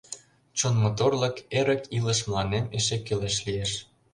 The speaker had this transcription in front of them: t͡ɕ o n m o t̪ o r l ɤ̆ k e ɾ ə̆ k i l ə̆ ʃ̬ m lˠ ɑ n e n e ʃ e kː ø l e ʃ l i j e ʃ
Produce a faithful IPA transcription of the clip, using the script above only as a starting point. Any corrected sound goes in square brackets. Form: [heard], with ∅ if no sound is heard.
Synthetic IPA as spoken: t͡ɕ o n m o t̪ o r l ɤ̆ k e ɾ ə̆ k i l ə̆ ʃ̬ m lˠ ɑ n e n e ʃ e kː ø l e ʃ l i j e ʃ